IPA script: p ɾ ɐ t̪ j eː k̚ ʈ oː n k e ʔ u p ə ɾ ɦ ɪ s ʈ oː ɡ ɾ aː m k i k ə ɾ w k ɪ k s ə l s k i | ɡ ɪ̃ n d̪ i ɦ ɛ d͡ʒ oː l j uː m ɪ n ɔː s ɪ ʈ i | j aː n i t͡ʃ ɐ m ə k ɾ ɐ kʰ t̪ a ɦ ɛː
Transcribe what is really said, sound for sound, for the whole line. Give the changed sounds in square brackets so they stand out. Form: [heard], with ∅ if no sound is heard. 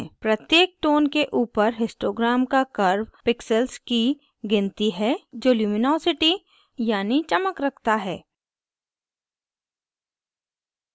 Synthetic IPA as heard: p ɾ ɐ t̪ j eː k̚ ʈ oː n k e ʔ [uː] p ə ɾ ɦ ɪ s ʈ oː ɡ ɾ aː m k [a] k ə ɾ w [p] ɪ k s ə l s k i | ɡ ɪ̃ n [t̪] i ɦ ɛ d͡ʒ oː l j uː m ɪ n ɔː s ɪ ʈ i | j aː n i t͡ʃ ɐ m ə k ɾ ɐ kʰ t̪ a ɦ ɛː